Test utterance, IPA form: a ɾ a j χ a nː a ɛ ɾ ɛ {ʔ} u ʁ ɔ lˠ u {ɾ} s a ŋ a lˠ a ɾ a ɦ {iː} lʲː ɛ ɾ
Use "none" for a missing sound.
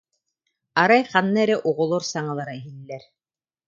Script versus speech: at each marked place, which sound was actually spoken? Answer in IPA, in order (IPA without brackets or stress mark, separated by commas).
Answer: ʔ, ɾ, i